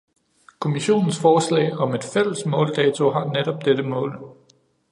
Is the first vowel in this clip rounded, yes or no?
yes